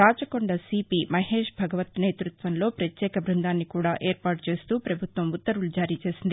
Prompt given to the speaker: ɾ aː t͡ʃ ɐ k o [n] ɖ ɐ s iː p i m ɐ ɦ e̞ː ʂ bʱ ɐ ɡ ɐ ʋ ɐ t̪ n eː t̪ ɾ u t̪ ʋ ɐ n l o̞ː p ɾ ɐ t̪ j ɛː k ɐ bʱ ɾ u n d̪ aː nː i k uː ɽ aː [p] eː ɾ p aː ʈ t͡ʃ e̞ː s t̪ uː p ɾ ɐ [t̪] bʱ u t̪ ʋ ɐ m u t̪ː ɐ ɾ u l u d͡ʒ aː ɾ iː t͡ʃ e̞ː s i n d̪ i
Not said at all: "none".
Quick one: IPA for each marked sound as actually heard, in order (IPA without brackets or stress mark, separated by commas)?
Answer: ɳ, ʔ, none